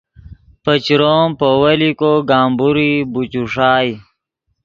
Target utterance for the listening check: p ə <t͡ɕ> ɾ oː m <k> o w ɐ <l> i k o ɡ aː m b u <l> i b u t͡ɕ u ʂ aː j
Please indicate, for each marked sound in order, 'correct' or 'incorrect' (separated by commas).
correct, incorrect, correct, incorrect